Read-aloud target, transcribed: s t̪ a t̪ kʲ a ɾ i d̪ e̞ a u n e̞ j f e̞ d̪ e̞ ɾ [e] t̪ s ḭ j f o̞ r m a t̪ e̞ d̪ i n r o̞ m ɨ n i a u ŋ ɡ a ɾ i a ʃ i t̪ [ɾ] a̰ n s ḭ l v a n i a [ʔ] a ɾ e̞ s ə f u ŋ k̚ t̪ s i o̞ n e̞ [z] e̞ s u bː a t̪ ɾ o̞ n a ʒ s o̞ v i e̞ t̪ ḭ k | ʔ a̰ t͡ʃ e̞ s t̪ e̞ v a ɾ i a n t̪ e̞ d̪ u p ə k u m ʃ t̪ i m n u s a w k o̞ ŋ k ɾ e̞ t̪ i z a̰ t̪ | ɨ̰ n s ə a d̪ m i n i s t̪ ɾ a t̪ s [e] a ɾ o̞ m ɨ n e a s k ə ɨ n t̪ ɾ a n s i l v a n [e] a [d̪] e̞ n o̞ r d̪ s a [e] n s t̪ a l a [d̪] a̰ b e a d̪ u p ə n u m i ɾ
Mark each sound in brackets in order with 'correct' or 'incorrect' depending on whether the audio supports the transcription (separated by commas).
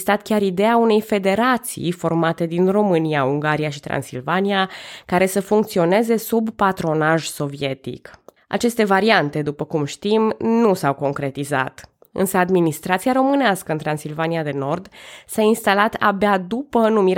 incorrect, correct, incorrect, correct, incorrect, incorrect, correct, incorrect, incorrect